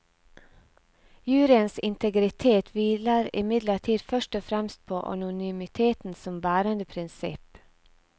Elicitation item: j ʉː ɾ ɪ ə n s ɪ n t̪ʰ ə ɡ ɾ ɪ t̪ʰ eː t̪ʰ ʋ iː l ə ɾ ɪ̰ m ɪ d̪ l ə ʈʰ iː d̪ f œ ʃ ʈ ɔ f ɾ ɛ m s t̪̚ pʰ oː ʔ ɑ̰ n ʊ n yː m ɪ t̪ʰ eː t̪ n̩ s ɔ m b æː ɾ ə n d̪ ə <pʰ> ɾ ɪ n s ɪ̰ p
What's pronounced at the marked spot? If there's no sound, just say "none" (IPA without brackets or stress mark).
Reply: pʰ